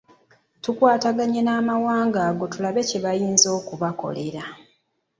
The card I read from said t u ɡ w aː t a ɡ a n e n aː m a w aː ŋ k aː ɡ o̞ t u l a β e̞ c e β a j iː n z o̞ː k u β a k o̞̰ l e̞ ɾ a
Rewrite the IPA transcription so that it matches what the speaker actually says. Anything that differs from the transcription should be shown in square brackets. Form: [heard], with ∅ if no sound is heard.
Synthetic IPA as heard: t u [k] w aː t a ɡ a [ɲ] e n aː m a w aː ŋ [ɡ] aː ɡ o̞ t u l a β e̞ c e β a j iː n z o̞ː k u β a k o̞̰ l e̞ ɾ a